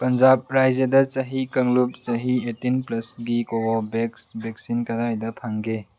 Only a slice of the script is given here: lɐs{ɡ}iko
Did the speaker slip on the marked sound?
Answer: no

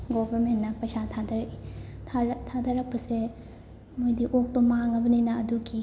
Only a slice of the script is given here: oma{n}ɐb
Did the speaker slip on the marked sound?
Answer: yes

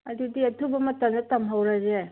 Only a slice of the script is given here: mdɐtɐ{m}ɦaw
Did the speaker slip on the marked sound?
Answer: no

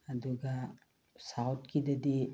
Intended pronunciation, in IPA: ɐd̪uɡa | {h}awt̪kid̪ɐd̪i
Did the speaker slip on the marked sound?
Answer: yes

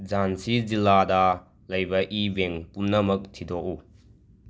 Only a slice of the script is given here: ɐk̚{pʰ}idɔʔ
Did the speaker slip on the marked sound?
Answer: yes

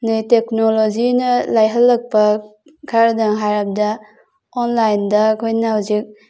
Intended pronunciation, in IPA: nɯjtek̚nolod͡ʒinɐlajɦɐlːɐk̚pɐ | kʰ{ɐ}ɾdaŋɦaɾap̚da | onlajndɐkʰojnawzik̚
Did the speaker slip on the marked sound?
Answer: yes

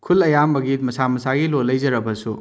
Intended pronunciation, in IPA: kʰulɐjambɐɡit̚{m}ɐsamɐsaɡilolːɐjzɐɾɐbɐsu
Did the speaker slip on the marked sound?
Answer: no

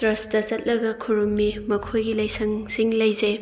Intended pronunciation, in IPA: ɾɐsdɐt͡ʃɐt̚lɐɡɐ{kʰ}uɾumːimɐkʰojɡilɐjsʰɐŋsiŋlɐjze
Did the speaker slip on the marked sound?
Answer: no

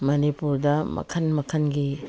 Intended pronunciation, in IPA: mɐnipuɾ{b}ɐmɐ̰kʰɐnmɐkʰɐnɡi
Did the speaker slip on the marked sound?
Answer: yes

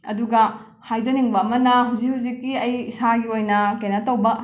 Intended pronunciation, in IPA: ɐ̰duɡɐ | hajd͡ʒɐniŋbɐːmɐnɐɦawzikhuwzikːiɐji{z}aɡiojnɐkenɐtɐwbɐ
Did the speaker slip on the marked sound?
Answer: yes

